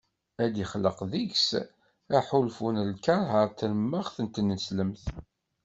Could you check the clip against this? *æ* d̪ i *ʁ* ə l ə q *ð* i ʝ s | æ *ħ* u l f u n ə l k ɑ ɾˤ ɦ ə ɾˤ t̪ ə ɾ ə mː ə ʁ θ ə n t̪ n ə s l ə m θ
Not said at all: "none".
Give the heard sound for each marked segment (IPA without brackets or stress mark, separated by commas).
æ, χ, ð, ħ